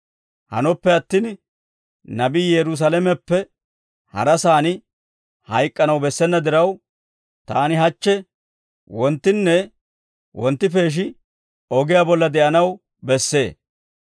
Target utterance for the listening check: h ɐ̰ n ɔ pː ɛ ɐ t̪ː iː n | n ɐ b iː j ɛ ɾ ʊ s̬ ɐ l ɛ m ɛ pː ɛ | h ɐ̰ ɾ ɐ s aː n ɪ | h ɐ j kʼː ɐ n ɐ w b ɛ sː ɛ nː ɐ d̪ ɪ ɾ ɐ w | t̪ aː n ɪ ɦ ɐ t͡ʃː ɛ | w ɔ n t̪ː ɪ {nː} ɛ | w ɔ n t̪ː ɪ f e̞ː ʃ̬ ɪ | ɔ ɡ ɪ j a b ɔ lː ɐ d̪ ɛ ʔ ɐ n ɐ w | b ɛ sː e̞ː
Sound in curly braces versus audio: correct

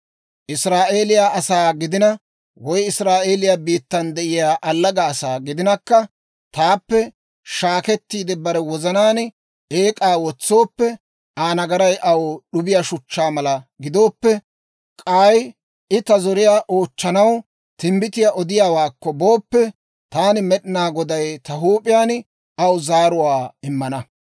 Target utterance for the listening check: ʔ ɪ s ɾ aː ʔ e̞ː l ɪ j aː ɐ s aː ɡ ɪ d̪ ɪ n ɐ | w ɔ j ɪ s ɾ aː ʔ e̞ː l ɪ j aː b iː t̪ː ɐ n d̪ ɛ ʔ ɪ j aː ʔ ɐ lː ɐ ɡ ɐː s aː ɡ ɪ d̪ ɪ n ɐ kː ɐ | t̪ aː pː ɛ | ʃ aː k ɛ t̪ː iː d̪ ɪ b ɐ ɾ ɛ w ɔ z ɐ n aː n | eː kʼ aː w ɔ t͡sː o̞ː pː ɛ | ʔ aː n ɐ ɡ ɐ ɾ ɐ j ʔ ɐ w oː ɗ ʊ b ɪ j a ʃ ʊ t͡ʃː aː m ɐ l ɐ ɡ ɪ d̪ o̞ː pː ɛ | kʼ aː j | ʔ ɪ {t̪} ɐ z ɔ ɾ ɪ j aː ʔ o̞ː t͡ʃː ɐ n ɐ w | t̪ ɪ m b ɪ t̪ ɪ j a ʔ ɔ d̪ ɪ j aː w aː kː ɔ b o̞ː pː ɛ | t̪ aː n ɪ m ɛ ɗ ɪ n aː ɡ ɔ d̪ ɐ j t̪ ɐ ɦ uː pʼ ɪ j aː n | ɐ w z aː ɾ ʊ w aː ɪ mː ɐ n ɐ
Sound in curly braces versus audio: correct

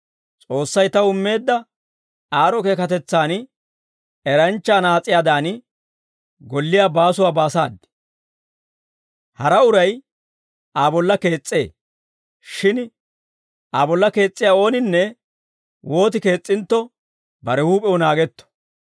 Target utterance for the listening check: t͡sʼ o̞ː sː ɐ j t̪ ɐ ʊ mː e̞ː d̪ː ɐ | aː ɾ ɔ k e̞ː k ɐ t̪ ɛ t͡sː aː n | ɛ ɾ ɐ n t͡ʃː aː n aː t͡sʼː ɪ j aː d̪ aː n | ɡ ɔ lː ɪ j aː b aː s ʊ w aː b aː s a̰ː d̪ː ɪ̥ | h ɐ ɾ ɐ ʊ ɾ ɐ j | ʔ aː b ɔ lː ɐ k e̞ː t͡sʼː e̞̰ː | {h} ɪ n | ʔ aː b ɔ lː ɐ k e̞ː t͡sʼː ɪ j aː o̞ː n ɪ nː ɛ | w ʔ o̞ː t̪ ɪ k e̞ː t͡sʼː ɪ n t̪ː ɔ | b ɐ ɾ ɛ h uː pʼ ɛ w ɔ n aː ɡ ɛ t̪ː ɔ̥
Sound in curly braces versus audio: incorrect: ʃ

